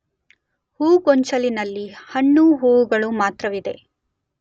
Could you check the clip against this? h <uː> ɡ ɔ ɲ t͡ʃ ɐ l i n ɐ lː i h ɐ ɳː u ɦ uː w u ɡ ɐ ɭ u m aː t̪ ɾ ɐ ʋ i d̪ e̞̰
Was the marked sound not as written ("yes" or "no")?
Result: no